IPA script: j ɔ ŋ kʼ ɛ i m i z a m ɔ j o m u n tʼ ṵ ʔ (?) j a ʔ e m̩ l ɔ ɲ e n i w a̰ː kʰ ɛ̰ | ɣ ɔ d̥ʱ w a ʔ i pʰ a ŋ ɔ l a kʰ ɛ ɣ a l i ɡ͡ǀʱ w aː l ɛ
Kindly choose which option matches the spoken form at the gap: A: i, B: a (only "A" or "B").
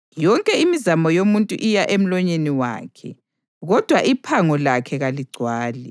A